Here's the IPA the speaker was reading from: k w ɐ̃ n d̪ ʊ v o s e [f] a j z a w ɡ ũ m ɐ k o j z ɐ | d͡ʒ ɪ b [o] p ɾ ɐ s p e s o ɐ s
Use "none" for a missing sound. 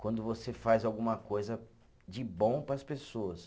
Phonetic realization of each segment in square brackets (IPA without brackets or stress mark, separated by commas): f, õ